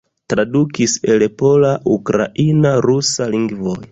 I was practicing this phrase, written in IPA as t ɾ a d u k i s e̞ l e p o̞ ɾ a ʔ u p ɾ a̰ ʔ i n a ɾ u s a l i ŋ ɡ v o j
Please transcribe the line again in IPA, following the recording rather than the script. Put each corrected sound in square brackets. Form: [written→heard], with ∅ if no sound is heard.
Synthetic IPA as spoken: t ɾ a d u k i s e̞ l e p o̞ [ɾ→l] a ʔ u [p→k] ɾ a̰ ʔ i n a ɾ u s a l i ŋ ɡ v o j